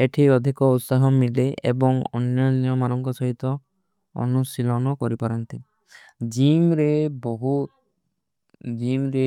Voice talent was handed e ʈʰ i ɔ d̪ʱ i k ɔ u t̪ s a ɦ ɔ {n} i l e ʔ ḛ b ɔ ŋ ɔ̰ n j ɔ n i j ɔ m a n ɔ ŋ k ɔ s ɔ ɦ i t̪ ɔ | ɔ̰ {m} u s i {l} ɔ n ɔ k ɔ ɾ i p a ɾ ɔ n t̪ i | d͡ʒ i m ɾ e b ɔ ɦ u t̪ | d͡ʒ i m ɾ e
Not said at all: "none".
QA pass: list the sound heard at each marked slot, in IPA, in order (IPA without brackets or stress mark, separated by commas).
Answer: m, n, l